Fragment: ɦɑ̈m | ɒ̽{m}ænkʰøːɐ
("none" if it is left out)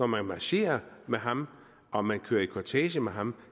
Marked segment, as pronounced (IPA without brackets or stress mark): m